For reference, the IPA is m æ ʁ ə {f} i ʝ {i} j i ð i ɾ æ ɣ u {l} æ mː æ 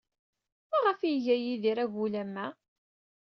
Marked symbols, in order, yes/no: yes, no, yes

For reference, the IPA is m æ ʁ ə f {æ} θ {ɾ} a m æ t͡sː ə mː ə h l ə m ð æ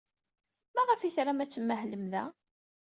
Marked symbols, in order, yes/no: no, yes

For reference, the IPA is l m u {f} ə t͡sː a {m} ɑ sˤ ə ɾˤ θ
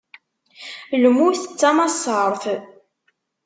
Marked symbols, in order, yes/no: no, yes

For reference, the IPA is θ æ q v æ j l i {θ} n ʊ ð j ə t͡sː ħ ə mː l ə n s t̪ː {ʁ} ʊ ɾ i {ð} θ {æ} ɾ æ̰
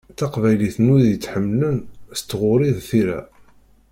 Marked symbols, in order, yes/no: yes, yes, yes, no

